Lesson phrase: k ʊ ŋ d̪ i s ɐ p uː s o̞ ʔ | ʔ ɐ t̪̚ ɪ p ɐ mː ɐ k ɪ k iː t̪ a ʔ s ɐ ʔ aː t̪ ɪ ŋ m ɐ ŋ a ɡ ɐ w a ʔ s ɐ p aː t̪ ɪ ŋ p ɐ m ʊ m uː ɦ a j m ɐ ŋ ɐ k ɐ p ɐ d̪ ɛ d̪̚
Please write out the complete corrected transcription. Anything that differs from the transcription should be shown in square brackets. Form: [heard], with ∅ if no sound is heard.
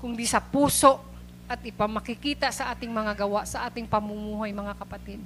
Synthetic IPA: k ʊ ŋ d̪ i s ɐ p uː s o̞ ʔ | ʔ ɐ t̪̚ ɪ p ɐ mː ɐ k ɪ k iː t̪ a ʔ s ɐ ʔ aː t̪ ɪ ŋ m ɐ ŋ a ɡ ɐ w a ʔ s ɐ [ʔ] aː t̪ ɪ ŋ p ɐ m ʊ m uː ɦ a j m ɐ ŋ [a] k ɐ p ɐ [t̪] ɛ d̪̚